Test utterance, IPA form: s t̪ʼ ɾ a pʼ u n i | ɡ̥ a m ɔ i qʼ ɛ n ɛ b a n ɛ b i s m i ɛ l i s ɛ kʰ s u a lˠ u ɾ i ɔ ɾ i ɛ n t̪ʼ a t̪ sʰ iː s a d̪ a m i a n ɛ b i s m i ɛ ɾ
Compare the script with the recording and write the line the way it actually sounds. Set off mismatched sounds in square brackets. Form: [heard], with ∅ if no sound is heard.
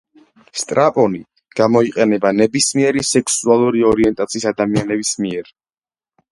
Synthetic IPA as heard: s t̪ʼ ɾ a pʼ [ɔ] n i | ɡ̥ a m ɔ i qʼ ɛ n ɛ b a n ɛ b i s m i ɛ [ɾ] i s ɛ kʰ s u a lˠ u ɾ i ɔ ɾ i ɛ n t̪ʼ a t̪ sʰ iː s a d̪ a m i a n ɛ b i s m i ɛ ɾ